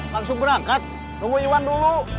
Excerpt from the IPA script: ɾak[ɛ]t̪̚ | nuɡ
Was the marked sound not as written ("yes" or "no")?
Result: yes